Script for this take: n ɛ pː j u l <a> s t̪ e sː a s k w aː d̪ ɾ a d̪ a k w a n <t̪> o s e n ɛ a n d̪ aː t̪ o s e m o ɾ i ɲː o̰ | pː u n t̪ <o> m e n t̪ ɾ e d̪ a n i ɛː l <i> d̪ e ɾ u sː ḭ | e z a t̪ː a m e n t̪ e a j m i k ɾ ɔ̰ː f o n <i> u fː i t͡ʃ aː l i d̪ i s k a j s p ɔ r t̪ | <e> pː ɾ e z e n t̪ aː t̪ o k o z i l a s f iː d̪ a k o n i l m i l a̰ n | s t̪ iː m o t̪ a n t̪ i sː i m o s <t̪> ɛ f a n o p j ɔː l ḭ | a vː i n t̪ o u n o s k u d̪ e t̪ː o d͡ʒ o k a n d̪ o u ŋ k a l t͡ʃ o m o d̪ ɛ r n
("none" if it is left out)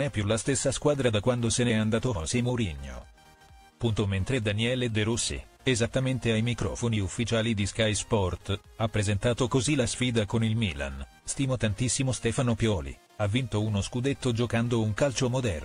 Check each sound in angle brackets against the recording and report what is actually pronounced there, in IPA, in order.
a, d̪, o, e, i, a, t̪

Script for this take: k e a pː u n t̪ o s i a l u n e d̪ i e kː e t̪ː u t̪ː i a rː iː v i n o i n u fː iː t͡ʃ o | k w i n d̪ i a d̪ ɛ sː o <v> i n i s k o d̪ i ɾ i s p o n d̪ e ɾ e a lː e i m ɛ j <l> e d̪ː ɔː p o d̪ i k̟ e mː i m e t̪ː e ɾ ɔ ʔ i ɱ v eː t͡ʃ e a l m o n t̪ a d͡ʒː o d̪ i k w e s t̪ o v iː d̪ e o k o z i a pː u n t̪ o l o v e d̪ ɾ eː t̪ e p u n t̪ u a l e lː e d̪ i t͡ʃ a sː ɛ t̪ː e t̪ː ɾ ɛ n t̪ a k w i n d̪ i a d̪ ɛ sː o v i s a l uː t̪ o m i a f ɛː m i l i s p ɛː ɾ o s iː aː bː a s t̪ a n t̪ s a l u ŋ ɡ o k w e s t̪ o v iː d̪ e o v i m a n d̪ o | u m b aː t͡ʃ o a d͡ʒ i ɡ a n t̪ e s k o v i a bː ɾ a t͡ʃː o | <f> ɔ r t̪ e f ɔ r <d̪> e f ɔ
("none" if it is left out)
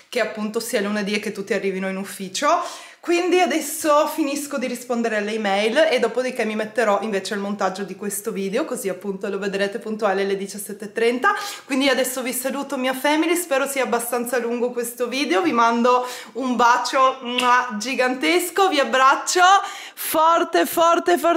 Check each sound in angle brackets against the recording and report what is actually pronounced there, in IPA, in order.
f, l, f, t̪

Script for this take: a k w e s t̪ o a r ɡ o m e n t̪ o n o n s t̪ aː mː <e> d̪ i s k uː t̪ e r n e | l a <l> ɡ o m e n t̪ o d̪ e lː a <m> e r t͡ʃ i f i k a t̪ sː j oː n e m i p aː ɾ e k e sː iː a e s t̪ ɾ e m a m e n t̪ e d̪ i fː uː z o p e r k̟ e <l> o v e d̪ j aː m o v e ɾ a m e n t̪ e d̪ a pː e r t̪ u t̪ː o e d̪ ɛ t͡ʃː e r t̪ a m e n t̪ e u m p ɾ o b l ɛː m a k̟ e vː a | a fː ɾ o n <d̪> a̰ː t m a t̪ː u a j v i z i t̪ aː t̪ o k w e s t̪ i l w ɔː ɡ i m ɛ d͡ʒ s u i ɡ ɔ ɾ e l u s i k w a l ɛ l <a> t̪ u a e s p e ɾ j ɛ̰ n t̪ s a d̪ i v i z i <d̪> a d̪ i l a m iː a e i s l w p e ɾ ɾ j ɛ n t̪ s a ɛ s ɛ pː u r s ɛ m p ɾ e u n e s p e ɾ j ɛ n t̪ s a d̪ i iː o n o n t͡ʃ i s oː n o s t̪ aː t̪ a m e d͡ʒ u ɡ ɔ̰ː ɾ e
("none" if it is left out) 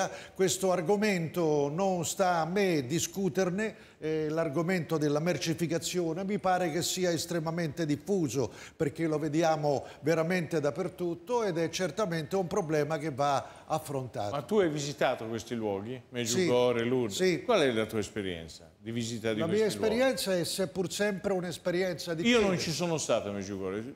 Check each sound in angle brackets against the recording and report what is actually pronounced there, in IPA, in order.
e, r, m, l, t̪, a, t̪

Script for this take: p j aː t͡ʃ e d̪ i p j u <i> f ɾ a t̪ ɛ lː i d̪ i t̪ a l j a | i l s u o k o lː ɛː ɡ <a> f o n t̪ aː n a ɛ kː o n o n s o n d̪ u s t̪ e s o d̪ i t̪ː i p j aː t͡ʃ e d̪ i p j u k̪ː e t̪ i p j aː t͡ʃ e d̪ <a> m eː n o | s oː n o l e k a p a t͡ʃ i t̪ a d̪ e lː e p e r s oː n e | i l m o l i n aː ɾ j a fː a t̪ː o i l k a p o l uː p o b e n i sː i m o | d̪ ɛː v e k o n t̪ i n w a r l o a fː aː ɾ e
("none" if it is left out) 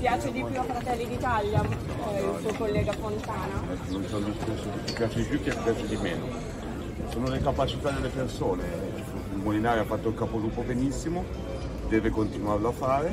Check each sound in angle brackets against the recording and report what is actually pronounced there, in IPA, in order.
a, a, i

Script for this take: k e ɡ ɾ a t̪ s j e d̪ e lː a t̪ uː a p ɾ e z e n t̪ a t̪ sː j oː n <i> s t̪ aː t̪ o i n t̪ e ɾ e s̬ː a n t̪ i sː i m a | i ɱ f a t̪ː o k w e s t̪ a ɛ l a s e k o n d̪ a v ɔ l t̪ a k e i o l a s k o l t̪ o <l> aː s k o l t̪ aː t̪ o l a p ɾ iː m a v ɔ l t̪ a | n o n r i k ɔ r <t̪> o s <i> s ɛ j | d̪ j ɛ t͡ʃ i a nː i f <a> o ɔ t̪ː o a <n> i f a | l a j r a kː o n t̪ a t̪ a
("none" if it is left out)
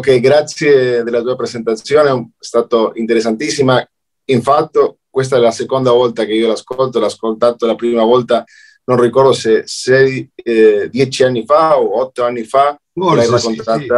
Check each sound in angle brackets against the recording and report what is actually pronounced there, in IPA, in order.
e, l, d̪, e, a, nː

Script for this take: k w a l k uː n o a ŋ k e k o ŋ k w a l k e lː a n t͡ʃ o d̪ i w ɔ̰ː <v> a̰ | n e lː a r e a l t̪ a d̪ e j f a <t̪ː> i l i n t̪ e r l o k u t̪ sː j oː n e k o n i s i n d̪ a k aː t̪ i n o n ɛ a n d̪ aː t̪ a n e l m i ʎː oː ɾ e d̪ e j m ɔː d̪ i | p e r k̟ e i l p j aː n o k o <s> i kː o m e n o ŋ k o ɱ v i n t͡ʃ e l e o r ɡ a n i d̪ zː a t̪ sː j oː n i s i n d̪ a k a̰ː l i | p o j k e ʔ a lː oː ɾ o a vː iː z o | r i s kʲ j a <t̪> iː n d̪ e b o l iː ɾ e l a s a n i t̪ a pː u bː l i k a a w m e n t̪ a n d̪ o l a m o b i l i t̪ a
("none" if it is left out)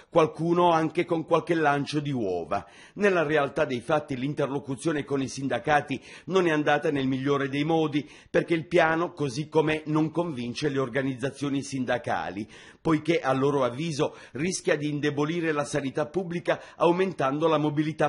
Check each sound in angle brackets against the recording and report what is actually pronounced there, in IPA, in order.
v, t̪ː, z, d̪

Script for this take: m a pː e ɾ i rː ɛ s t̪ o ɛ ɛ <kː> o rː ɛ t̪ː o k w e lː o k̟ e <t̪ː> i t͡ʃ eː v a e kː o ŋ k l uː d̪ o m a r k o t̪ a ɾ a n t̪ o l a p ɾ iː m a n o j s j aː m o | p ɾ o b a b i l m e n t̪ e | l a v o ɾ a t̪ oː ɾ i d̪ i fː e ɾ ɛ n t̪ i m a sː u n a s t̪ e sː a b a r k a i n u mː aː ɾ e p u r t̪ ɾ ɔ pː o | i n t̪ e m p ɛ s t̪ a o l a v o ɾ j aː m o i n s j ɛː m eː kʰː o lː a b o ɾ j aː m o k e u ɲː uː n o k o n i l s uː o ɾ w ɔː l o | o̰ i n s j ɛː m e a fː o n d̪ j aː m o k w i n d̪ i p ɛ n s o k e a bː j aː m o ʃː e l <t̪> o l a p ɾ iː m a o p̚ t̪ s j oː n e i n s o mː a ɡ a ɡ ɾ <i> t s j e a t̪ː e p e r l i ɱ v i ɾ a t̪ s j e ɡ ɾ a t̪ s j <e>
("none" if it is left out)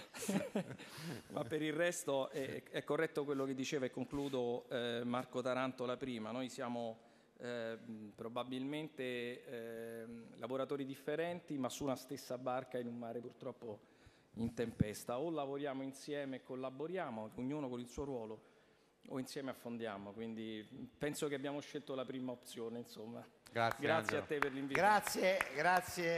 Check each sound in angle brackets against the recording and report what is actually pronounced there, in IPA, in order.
kː, d̪ː, t̪, a, e

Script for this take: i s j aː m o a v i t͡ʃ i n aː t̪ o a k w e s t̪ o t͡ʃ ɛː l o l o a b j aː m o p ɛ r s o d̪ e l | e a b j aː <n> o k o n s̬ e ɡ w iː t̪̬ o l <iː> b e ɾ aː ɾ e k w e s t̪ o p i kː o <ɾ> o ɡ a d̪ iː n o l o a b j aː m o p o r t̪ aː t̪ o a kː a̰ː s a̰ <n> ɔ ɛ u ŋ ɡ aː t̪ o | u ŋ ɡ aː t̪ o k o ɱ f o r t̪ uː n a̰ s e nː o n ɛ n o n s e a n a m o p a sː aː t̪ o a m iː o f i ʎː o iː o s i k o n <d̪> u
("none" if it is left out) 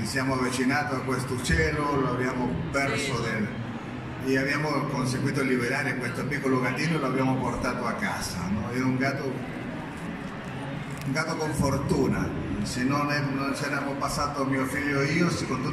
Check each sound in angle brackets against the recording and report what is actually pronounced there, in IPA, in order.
m, i, l, n, t̪

